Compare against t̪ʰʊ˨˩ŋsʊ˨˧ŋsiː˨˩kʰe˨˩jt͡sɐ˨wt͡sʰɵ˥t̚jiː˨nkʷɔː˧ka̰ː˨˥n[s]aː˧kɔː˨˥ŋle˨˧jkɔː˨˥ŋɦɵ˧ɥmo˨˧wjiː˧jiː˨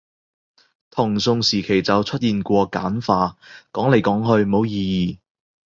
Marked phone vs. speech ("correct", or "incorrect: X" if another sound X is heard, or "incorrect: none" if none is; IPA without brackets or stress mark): incorrect: f